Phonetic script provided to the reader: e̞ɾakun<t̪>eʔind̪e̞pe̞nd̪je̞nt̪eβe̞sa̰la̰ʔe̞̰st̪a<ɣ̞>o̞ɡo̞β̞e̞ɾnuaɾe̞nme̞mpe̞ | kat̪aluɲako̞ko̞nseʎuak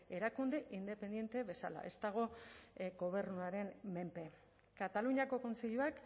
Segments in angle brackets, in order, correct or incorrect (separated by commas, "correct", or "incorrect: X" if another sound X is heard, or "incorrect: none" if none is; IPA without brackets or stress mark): incorrect: d̪, correct